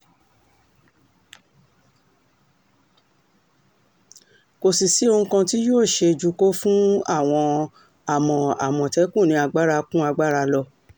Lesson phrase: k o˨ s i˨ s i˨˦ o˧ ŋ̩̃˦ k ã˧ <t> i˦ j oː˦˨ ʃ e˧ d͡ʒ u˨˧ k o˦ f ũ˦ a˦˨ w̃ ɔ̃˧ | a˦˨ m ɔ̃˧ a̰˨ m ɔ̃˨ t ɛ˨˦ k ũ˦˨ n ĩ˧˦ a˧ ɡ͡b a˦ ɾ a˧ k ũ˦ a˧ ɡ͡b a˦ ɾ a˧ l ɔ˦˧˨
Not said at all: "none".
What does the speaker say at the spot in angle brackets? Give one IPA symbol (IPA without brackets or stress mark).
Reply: t